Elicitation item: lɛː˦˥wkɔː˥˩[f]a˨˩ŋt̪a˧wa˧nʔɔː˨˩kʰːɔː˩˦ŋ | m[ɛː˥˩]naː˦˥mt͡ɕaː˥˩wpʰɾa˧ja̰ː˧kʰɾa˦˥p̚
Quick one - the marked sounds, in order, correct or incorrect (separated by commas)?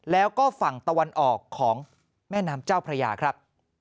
correct, correct